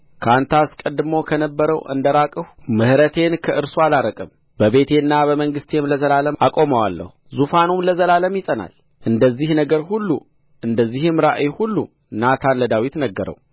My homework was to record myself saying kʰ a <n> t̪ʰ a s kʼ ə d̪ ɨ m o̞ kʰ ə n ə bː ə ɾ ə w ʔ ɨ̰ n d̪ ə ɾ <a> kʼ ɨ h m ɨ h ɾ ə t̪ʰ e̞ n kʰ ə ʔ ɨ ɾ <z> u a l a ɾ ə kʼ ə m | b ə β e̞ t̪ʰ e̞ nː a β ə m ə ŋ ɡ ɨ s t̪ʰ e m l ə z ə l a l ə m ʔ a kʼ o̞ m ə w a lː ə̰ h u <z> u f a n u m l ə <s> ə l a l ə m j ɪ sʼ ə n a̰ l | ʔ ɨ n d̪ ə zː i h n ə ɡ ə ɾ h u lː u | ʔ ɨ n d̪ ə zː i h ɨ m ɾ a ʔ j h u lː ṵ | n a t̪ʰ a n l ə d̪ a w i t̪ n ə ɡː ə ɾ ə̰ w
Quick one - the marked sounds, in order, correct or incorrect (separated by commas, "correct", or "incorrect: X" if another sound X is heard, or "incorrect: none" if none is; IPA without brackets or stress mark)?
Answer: correct, correct, incorrect: s, correct, incorrect: z